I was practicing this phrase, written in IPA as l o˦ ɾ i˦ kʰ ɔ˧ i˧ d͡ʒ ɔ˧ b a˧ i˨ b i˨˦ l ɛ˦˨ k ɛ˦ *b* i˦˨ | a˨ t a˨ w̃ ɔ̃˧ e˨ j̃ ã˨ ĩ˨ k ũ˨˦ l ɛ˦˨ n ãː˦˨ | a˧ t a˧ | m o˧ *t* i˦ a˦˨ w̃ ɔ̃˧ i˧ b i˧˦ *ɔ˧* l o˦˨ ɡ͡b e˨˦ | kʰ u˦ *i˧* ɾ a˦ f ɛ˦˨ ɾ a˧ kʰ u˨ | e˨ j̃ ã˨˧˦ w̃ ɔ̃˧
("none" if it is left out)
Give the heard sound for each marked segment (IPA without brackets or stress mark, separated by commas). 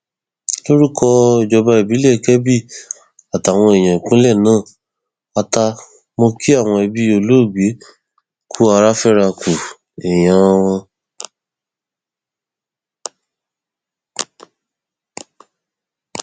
b, k, o˧, a˧